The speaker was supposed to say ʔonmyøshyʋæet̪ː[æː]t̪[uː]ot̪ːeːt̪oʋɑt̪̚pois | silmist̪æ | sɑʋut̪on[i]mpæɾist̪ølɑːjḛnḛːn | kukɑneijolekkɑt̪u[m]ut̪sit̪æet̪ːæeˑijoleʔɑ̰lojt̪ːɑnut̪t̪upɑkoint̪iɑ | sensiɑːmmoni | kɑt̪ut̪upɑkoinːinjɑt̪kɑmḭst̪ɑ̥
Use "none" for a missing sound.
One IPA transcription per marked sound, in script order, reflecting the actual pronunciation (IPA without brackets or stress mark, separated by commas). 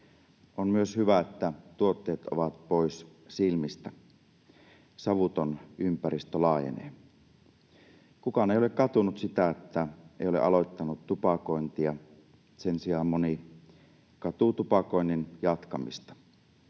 æ, u, y, n